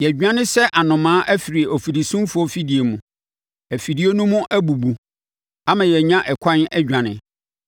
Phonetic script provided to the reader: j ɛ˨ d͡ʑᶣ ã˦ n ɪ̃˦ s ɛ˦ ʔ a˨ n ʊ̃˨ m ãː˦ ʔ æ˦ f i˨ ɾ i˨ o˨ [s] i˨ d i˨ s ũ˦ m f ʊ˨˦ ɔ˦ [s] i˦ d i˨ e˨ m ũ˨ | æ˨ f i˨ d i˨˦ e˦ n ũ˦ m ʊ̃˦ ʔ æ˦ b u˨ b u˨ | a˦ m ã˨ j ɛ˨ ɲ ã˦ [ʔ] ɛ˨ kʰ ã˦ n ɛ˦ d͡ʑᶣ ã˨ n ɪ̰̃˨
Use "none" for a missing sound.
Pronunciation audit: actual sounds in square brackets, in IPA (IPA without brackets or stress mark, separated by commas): f, f, ʔ